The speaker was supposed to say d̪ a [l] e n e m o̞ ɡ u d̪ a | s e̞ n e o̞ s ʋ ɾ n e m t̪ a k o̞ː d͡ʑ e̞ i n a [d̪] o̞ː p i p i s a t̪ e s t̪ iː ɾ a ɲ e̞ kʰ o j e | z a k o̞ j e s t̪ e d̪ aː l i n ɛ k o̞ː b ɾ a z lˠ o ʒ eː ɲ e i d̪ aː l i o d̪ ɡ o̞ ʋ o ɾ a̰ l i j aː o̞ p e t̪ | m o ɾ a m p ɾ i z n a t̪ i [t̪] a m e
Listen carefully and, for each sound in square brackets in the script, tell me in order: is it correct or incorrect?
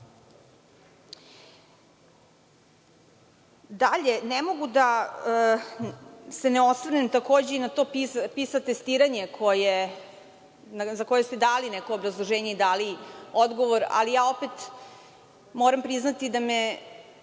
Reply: incorrect: ʎ, incorrect: t̪, incorrect: d̪

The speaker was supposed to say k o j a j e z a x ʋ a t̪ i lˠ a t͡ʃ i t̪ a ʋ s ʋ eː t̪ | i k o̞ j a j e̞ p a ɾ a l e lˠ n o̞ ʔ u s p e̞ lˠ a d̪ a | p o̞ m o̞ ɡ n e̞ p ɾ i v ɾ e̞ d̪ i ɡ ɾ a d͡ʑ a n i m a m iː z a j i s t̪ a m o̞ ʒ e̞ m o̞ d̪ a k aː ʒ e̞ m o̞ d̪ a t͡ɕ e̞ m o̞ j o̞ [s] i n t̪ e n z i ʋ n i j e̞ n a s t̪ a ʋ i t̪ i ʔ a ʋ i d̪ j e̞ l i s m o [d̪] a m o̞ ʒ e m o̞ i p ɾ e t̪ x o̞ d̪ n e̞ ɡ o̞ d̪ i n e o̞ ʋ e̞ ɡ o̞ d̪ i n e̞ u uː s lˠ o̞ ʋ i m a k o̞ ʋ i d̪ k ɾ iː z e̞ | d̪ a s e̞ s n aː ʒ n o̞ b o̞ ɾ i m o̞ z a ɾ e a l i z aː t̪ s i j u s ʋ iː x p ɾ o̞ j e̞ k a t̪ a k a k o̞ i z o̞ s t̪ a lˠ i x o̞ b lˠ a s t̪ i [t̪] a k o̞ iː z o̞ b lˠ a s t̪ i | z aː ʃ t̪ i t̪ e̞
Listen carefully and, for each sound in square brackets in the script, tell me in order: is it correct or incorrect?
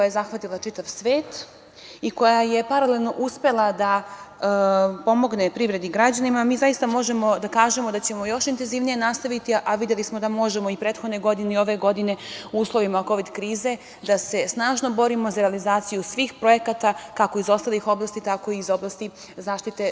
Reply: incorrect: ʃ, correct, correct

